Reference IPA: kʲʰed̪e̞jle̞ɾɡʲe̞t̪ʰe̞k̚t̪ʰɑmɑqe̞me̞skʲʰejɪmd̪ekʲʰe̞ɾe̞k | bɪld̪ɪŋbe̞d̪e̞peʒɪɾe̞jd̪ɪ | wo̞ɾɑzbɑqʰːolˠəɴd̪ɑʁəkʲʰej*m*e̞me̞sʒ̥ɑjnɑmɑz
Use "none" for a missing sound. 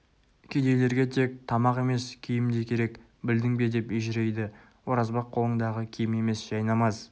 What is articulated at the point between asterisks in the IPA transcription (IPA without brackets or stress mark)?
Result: m